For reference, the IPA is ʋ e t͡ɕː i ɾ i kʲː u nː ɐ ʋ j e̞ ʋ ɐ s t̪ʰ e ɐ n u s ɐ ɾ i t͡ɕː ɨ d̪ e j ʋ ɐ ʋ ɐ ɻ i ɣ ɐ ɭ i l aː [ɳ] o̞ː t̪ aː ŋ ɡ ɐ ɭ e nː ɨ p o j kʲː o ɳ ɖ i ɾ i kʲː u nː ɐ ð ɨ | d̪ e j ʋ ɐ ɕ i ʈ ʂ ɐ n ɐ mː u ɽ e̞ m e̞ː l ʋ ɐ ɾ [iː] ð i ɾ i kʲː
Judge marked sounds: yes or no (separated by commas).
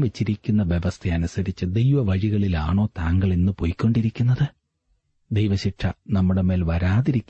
yes, no